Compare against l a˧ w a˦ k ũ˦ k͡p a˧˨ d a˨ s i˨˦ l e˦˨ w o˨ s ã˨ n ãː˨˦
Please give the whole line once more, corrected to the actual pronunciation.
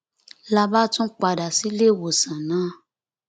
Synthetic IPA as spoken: l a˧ b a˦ t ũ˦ k͡p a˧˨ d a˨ s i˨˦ l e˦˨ w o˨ s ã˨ n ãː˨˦

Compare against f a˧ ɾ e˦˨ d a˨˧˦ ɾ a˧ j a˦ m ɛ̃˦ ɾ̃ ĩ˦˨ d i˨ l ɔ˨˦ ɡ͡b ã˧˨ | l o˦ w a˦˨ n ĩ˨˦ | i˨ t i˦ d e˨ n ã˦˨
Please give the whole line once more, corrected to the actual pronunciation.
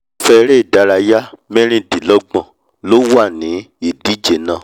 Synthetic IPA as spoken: f ɛ˧ ɾ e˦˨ d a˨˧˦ ɾ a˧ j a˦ m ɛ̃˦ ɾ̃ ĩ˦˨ d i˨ l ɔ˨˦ ɡ͡b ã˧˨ | l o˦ w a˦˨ n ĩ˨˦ | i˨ d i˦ d͡ʒ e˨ n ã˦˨

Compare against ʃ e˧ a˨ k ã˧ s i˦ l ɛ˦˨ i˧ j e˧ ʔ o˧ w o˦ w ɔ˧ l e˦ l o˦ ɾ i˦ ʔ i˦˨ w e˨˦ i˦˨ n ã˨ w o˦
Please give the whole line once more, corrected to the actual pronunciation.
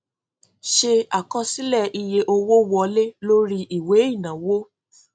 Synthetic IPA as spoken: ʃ e˧ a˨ k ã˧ s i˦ l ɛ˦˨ i˧ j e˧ ʔ o˧ w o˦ w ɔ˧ l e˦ l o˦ ɾ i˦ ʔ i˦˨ w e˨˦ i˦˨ n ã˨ w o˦

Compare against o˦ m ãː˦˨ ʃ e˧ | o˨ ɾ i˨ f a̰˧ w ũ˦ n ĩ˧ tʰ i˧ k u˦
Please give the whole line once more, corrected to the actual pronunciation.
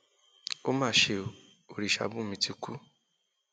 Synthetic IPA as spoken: o˦ m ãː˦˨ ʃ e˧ | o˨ ɾ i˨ ʃ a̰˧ b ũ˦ m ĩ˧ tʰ i˧ k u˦

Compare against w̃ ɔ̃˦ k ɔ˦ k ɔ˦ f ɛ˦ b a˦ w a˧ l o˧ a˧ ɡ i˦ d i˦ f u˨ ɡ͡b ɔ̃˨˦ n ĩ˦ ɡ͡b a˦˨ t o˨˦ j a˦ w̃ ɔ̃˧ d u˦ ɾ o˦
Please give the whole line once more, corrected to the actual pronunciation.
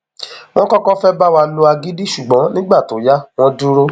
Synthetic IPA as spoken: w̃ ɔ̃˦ k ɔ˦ k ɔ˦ f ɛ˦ b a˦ w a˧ l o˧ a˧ ɡ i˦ d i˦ ʃ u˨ ɡ͡b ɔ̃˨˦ n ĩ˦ ɡ͡b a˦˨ t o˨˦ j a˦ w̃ ɔ̃˧ d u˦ ɾ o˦

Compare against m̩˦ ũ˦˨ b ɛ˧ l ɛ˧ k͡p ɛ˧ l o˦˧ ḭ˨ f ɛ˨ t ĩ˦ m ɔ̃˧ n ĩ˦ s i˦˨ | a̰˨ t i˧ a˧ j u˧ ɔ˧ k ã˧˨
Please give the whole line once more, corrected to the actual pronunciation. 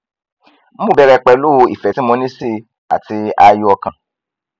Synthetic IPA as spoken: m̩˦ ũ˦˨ b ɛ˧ ɾ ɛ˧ k͡p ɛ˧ l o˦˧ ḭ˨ f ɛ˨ t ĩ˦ m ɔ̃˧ n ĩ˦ s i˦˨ | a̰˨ t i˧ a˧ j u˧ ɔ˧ k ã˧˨

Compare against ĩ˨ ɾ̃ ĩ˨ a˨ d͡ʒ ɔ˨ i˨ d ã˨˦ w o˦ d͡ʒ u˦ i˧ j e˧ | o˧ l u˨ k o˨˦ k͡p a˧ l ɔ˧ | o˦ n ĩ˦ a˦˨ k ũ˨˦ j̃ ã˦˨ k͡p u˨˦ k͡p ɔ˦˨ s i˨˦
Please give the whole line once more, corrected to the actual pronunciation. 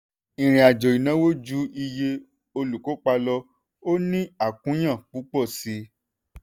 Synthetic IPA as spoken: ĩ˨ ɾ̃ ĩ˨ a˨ d͡ʒ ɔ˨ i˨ n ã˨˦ w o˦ d͡ʒ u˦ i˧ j e˧ | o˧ l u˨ k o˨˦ k͡p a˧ l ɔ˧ | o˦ n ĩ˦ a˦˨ k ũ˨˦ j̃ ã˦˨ k͡p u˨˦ k͡p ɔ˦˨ s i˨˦

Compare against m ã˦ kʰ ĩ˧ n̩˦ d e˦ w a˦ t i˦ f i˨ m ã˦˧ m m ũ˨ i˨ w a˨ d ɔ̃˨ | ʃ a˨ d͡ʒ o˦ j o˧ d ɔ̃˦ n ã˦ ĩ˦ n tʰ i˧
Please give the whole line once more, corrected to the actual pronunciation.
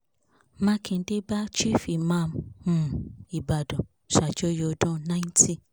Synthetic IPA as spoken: m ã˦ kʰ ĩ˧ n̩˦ d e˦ b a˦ t͡ʃ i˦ f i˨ m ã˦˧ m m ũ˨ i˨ b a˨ d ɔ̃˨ | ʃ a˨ d͡ʒ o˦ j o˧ d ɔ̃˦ n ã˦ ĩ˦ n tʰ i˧

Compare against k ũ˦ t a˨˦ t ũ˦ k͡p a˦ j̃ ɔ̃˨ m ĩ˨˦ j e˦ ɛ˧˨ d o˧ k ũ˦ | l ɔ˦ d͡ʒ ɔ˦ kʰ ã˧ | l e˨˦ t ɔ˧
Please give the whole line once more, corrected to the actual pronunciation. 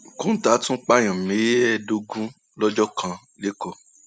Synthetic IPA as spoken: k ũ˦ t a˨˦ t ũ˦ k͡p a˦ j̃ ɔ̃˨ m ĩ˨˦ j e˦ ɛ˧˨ d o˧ ɡ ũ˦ | l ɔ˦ d͡ʒ ɔ˦ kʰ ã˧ | l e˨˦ k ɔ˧

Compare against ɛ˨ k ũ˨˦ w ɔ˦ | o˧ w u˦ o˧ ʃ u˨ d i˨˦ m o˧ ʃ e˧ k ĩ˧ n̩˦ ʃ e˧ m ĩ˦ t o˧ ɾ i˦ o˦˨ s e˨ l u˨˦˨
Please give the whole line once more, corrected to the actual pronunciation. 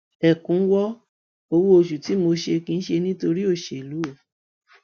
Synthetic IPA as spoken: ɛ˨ k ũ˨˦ w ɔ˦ | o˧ w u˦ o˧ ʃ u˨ t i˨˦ m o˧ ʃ e˧ k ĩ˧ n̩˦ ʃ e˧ n ĩ˦ t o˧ ɾ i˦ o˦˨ ʃ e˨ l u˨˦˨

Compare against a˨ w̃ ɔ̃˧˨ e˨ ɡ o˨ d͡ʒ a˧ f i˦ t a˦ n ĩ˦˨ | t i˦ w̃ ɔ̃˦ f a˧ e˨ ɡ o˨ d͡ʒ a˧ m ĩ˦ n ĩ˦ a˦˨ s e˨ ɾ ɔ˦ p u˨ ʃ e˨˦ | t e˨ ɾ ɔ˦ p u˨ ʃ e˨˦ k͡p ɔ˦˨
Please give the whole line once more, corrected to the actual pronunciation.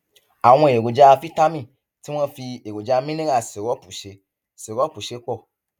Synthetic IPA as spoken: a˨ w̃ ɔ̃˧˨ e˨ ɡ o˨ d͡ʒ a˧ f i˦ t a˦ m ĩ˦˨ | t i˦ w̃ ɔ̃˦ f i˧ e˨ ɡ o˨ d͡ʒ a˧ m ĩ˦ n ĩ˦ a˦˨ s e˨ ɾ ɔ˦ p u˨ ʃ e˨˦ | s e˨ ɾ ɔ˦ p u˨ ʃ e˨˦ k͡p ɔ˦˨

